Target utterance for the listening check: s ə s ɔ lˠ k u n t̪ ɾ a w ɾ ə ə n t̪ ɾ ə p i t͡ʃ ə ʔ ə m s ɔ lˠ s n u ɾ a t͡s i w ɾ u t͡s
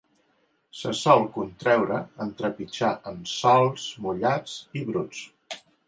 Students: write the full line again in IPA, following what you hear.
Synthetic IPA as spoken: s ə s ɔ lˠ k u n t̪ ɾ ɛ w ɾ ə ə n t̪ ɾ ə p i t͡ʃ a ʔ ə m s ɔ lˠ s m u ʎ a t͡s i β ɾ u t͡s